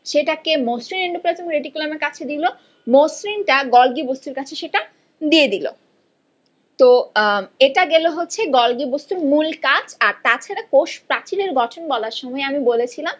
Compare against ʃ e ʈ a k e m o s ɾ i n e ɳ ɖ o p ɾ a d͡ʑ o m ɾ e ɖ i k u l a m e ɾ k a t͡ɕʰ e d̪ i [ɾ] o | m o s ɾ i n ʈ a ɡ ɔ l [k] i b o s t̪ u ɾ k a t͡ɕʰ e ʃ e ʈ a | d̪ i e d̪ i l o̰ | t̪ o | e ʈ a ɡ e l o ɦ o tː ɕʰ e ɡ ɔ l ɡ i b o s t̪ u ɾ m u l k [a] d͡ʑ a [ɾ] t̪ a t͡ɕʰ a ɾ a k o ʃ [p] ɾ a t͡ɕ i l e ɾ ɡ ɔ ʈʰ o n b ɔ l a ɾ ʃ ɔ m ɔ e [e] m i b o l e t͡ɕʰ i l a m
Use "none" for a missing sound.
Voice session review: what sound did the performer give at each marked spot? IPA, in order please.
l, ɡ, a, ɾ, p, a

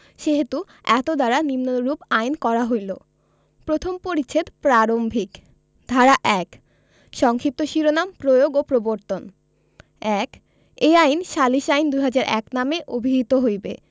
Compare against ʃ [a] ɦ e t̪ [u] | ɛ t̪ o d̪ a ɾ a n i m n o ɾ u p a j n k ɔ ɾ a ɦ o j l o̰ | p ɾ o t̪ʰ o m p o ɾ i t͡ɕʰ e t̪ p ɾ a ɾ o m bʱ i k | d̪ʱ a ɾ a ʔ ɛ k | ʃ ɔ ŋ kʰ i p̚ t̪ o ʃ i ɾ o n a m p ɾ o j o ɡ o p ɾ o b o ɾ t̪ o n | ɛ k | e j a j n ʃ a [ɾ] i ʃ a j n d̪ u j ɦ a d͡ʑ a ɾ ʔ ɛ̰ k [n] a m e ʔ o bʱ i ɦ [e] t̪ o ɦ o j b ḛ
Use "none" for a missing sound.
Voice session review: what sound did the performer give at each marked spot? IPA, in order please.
e, u, l, n, i

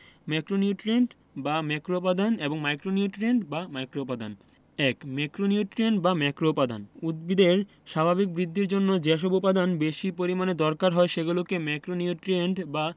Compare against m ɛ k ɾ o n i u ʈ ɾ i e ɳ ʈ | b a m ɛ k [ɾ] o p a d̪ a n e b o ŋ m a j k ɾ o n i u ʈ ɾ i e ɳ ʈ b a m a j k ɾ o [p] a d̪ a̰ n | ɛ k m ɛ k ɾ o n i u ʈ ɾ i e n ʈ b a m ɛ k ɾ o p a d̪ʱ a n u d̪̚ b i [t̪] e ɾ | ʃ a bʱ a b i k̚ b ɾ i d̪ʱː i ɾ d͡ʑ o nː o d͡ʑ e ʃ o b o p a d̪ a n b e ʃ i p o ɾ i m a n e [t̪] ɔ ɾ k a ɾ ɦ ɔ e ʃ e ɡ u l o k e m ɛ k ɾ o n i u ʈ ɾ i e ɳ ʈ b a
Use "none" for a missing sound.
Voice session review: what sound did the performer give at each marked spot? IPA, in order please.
ɾ, p, d̪, d̪

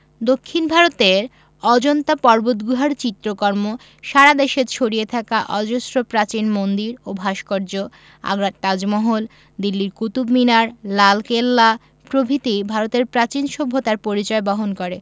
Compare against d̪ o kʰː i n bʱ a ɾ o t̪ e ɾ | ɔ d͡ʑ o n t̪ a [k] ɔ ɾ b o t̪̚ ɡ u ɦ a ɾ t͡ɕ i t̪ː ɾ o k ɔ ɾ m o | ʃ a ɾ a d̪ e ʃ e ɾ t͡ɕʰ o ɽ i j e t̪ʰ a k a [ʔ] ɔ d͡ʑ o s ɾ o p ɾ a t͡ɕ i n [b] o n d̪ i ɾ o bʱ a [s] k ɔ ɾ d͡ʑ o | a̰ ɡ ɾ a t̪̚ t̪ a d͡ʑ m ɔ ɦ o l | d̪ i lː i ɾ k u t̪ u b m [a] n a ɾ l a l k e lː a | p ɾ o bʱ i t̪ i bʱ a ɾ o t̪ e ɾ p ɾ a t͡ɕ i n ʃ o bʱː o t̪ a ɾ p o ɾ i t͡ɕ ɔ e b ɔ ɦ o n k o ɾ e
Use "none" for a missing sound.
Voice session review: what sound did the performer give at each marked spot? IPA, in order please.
p, ʔ, m, ʃ, i

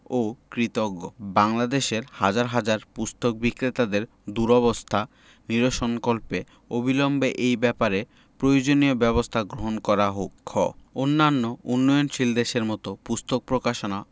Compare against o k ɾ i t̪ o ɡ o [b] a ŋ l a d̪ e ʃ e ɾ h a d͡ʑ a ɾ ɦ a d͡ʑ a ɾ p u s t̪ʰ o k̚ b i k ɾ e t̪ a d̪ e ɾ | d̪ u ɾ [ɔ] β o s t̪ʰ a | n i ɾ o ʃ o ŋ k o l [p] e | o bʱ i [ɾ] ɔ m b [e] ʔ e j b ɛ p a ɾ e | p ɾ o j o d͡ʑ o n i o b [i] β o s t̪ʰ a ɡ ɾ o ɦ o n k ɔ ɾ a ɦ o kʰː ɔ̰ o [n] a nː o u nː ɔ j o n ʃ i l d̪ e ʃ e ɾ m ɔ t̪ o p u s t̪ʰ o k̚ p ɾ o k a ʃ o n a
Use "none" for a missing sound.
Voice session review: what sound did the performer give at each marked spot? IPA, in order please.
b, ɔ, p, l, e, ɛ, nː

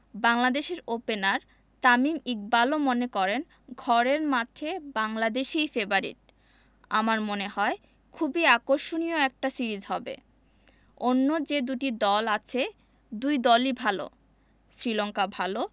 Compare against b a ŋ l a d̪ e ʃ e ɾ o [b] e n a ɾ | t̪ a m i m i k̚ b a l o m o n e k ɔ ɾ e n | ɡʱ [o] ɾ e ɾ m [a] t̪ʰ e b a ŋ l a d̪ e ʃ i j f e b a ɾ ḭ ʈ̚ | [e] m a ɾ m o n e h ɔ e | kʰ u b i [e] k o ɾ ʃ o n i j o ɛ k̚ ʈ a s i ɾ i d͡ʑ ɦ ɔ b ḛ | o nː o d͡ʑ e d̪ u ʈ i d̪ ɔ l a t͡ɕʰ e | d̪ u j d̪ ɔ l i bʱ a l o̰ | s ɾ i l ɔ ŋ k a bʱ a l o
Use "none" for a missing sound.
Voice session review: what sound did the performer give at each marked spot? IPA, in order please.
p, ɔ, a, a, a

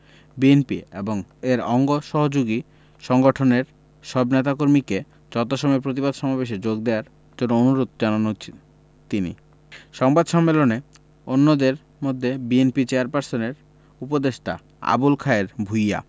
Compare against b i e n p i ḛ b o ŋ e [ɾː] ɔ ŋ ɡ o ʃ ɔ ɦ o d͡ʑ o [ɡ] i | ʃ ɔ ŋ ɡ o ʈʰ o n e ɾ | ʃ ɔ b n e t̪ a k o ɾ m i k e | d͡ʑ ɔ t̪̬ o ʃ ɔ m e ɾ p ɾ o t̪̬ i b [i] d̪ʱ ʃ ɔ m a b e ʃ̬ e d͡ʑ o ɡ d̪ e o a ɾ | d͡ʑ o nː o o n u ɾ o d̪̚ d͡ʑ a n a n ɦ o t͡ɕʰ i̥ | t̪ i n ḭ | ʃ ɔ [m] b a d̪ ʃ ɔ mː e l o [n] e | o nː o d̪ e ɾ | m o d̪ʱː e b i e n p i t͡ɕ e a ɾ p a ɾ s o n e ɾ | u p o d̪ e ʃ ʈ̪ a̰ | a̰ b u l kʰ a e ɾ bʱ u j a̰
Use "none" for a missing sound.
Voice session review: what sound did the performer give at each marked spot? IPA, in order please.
ɾ, ɡ, a, ŋ, n

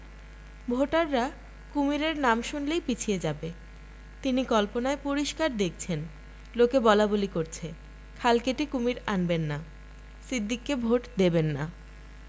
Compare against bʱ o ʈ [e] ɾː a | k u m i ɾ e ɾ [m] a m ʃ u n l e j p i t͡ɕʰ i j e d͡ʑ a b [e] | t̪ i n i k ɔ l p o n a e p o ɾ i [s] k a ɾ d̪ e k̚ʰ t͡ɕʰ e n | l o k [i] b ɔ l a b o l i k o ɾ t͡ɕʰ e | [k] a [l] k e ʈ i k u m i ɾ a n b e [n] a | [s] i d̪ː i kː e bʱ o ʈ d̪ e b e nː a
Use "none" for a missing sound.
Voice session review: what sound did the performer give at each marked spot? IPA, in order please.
a, n, e, ʃ, e, kʰ, l, nː, s

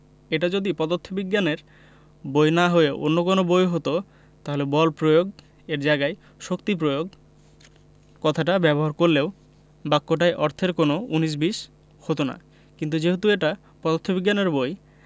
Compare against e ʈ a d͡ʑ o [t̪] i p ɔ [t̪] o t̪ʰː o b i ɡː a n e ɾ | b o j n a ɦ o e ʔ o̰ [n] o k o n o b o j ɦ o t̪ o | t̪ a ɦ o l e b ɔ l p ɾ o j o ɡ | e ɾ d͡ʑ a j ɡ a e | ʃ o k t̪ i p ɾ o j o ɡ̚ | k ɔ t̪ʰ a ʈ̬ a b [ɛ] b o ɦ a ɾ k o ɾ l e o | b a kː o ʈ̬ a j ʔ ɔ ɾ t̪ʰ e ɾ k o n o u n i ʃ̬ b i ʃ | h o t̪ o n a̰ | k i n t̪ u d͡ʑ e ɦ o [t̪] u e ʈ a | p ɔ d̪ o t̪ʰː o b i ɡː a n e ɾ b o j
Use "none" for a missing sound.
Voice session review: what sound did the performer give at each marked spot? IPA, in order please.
d̪, d̪, nː, ɛ, t̪

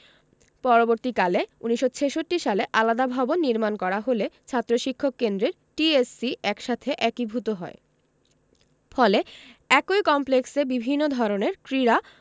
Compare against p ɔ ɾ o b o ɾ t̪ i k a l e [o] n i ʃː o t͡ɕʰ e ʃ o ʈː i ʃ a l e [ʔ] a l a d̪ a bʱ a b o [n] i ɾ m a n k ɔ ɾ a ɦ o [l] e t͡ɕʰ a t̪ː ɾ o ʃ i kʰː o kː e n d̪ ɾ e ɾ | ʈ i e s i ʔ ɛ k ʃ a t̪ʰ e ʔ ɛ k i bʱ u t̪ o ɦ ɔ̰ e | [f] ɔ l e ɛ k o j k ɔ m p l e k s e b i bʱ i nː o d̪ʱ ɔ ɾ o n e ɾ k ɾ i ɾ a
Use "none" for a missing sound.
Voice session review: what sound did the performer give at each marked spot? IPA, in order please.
u, ʔ, nː, l, f

